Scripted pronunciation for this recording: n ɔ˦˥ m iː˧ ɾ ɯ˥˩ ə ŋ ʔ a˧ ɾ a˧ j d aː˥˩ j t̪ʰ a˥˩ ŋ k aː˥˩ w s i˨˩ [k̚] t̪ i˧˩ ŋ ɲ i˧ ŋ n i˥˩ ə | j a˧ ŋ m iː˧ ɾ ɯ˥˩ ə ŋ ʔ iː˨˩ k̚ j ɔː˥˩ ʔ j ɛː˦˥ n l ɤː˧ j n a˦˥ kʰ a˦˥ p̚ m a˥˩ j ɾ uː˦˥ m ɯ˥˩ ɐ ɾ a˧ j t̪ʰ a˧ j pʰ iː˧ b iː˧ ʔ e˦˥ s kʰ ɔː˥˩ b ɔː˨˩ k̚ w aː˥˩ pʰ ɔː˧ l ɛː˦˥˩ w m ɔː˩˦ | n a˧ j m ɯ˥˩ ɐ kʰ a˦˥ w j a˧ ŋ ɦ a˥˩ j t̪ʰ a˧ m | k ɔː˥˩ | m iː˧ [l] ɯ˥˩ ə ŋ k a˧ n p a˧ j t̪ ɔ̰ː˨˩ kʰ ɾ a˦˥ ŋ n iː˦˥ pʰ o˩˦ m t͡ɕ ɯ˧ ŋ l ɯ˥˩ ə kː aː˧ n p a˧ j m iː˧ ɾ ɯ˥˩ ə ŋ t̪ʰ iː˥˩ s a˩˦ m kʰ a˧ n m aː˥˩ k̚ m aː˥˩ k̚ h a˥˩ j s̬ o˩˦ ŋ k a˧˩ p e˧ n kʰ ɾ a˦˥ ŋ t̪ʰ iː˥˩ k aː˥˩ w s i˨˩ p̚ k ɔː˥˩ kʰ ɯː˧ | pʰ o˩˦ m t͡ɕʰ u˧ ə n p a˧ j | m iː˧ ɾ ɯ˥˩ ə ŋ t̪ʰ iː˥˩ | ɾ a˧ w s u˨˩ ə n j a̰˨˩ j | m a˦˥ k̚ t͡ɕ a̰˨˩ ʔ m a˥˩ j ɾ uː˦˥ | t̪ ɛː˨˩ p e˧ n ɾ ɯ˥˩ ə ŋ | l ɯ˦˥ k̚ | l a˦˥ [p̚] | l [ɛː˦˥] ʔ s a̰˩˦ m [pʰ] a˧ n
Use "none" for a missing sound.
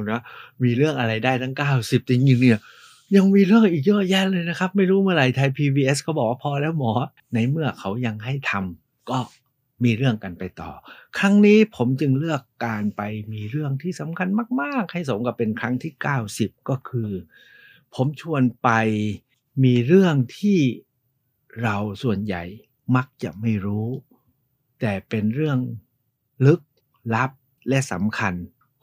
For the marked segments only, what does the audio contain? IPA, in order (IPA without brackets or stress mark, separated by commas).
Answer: p̚, ɾ, p̚, ɛ˦˥, kʰ